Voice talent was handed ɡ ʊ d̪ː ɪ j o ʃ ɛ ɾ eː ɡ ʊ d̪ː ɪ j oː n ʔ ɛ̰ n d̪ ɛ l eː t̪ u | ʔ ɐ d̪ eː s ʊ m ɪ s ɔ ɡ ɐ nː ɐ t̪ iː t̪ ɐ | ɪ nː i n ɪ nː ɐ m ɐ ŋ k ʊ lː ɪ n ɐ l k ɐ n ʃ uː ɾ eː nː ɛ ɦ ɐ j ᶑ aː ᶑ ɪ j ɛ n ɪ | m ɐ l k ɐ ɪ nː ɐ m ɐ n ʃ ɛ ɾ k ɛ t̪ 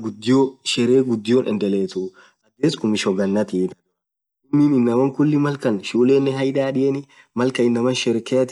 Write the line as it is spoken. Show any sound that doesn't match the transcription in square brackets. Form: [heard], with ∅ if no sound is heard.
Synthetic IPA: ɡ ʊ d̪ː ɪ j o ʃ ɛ ɾ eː ɡ ʊ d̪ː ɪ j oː n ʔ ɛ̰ n d̪ ɛ l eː t̪ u | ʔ ɐ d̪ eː s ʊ m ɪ [ʃ] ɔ ɡ ɐ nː ɐ t̪ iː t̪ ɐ | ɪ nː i n ɪ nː ɐ m ɐ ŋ k ʊ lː ɪ [m] ɐ l k ɐ n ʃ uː [l] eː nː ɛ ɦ ɐ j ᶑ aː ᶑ ɪ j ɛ n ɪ | m ɐ l k ɐ ɪ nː ɐ m ɐ n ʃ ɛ ɾ k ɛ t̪